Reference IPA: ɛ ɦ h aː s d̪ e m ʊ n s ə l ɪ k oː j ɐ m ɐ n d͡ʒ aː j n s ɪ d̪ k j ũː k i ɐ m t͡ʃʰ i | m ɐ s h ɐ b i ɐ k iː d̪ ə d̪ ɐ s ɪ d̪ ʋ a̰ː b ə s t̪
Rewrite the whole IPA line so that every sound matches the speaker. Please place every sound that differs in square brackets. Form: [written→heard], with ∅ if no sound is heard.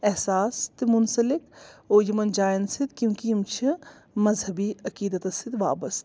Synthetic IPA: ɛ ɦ [h→s] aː s [d̪→t̪] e m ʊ n s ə l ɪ k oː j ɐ m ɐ n d͡ʒ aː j n s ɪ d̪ k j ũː k i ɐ m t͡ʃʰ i | m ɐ [s→z] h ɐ b i ɐ k iː d̪ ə [d̪→t̪] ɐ s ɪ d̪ ʋ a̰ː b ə s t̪